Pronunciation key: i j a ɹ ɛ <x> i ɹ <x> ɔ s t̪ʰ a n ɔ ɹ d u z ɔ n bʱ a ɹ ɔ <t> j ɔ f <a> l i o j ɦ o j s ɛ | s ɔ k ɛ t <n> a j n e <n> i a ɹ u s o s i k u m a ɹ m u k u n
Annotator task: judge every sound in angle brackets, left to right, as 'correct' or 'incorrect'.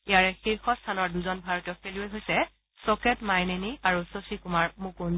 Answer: correct, correct, correct, incorrect, incorrect, correct

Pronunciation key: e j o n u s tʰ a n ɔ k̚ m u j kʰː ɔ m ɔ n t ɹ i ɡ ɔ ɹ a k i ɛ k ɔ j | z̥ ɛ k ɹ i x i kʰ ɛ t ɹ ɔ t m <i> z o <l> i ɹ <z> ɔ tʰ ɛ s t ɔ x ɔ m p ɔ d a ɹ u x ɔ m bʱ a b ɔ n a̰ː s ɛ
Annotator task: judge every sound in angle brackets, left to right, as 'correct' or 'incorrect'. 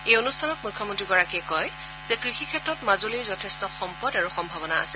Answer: incorrect, correct, correct

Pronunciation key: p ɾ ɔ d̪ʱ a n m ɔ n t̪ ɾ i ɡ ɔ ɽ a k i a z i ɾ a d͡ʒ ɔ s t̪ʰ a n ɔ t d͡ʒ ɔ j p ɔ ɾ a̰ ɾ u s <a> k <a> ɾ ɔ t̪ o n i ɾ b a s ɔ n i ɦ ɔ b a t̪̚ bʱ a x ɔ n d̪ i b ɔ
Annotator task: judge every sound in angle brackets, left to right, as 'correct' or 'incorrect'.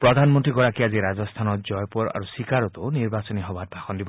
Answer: incorrect, correct

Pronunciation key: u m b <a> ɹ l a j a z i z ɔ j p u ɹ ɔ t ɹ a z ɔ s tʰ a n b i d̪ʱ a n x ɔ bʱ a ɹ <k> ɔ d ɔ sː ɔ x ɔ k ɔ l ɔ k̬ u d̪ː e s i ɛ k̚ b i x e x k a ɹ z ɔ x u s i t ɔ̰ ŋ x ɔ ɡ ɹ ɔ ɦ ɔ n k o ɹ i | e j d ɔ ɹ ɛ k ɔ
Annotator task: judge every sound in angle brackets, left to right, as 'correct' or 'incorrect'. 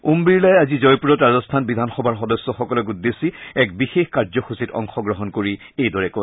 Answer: incorrect, incorrect

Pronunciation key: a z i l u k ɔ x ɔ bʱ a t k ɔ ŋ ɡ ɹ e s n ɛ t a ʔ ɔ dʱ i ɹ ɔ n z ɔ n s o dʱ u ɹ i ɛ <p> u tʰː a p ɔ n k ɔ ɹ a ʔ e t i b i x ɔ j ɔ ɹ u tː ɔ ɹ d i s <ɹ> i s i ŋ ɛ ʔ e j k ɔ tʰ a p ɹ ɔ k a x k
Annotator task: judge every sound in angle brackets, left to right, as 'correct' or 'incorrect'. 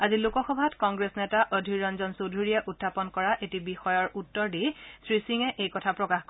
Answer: incorrect, correct

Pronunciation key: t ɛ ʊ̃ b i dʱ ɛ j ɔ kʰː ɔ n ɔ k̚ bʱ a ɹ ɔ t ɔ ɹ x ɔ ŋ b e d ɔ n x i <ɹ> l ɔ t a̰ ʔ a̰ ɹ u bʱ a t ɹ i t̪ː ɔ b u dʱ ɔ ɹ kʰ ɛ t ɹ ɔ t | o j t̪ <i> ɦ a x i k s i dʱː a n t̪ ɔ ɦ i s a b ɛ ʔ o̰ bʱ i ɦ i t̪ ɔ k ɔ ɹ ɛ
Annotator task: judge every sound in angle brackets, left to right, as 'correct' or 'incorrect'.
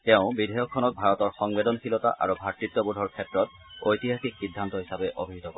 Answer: incorrect, correct

